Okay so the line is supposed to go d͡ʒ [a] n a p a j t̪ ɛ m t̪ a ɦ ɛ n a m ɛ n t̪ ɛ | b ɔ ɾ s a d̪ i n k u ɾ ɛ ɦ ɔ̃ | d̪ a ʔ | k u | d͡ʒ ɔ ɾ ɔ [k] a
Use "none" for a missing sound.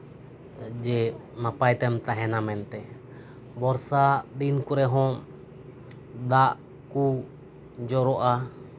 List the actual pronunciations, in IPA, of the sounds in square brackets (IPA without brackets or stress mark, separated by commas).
ɛ, ʔ